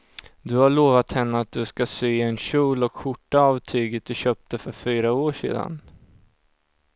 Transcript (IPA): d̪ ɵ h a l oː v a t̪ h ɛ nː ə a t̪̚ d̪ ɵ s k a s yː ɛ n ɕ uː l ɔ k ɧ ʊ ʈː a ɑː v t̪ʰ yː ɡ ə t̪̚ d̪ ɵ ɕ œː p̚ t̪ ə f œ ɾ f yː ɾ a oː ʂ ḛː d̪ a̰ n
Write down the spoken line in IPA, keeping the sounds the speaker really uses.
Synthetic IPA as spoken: d̪ ɵ h a ɭ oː v a t̪ h ɛ nː ə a t̪̚ d̪ ɵ s k a s yː ɛ n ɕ uː l ɔ k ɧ ʊ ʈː a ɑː v t̪ʰ yː ɡ ə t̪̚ d̪ ɵ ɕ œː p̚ t̪ ə f œ ɾ f yː ɾ a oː ʂ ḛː d̪ a̰ n